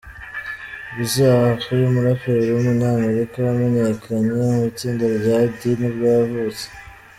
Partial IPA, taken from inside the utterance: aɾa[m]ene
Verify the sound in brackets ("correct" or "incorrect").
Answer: correct